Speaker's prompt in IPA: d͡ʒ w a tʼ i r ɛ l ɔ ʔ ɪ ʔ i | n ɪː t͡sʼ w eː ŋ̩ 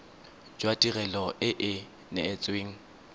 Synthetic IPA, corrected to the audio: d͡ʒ w a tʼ i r ɛ l ɔ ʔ ɪ ʔ ɪ | n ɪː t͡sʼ w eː ŋ̩

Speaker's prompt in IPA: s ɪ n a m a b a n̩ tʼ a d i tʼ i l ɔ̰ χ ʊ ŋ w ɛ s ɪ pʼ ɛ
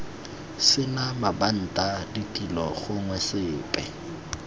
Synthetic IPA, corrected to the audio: s ɪ n a m a b a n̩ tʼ a d i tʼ i l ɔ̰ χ ʊ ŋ w ɛ s ɪː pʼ ɛ

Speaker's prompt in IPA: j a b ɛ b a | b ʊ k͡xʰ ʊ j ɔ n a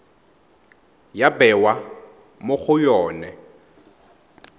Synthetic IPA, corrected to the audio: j a b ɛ w a | m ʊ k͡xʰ ʊ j ɔː n ɛ

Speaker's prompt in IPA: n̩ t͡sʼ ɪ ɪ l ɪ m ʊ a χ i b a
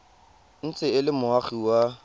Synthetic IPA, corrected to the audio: n̩ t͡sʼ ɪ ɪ l ɪ m ʊ a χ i w a

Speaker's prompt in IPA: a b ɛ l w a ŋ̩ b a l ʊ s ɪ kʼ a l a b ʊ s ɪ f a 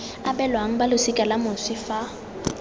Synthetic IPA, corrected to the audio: a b ɛ l w a ŋ̩ b a l ʊ s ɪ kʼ a l a m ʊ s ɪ f a

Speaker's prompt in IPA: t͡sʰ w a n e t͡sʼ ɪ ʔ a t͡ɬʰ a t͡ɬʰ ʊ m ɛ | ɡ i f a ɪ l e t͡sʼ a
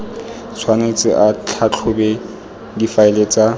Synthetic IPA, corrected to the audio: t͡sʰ w a n e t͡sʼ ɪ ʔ a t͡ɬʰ a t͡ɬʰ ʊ b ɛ | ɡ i f a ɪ l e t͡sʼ a

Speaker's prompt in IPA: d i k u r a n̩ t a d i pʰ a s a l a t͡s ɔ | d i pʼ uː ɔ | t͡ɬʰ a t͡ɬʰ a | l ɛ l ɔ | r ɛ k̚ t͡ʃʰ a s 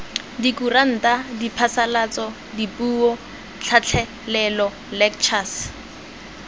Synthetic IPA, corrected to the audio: d i k u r a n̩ t a d i pʰ a s a l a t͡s ɔ | d i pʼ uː ɔ | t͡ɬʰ a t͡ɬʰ ɛ | l ɛ l ɔ | l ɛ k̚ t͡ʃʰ a s

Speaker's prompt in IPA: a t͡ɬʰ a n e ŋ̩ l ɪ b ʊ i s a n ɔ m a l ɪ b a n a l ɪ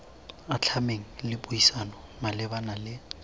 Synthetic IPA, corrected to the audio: a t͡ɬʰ a m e ŋ̩ l ɪ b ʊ i s a n ɔ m a l ɪ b a n a l ɪ

